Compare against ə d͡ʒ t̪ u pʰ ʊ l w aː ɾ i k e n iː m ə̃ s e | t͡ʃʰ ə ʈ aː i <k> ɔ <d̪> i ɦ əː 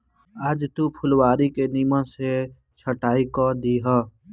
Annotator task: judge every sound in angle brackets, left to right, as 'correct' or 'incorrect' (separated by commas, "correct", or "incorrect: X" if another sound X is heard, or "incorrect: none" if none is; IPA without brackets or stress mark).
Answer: correct, correct